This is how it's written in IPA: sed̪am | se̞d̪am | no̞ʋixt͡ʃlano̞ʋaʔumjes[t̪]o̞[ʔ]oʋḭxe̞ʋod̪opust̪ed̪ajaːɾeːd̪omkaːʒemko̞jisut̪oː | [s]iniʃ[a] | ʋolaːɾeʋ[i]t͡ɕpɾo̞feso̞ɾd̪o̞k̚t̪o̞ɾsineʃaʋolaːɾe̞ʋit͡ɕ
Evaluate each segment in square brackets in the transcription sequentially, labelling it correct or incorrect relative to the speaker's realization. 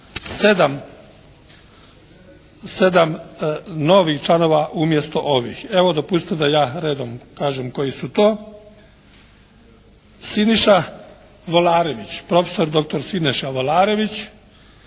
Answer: correct, correct, correct, correct, correct

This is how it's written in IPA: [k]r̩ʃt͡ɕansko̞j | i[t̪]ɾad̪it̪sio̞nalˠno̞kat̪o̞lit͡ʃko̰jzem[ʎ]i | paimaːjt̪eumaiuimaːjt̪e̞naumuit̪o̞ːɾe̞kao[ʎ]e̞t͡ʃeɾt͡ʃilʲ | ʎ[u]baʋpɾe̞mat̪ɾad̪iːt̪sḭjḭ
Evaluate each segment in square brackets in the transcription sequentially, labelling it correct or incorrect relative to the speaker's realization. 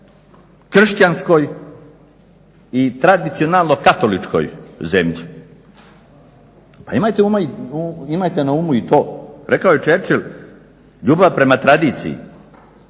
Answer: correct, correct, correct, incorrect: j, incorrect: uː

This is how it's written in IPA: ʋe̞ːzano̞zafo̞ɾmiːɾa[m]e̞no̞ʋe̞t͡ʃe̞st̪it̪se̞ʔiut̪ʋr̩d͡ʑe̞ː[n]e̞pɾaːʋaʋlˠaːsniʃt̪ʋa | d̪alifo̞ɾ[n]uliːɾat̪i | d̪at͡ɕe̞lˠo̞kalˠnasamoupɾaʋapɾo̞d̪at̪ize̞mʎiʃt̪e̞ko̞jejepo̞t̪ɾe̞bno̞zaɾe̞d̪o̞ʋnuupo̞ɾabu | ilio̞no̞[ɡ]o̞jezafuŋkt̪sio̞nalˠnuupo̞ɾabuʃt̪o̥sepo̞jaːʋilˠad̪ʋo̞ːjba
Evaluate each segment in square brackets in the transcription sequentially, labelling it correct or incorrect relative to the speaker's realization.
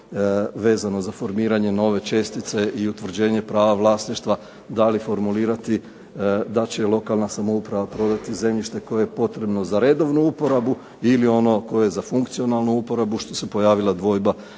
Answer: incorrect: ɲ, incorrect: ɲ, incorrect: m, incorrect: k

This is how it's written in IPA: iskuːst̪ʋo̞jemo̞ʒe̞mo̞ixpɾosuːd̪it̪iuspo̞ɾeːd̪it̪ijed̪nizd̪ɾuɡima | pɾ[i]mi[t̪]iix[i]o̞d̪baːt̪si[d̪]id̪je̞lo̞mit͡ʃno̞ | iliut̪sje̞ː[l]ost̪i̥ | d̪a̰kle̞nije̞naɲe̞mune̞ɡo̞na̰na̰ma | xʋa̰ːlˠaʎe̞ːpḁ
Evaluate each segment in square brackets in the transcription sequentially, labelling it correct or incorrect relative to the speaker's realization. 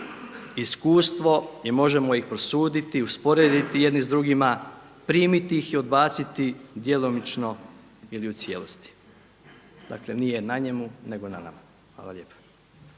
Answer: incorrect: iː, correct, correct, incorrect: t̪, correct

